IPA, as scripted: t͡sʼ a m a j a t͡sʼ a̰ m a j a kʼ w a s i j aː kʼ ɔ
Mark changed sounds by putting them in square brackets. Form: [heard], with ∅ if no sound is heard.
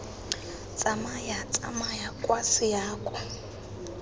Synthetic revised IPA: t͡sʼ a m a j a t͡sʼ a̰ m a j a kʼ w a s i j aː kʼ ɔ